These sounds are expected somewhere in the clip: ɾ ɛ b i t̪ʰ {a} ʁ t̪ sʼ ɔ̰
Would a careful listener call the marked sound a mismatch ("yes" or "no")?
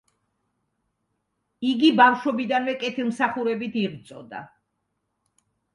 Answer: yes